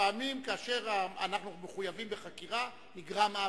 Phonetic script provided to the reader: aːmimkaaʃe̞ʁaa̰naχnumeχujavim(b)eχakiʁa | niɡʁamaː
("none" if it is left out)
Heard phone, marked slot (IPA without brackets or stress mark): b